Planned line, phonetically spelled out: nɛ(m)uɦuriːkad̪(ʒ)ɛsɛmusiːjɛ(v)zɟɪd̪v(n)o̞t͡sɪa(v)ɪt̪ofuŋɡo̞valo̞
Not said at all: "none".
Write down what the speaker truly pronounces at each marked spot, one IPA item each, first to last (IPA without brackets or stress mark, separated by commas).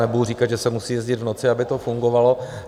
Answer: b, ʒ, none, n, b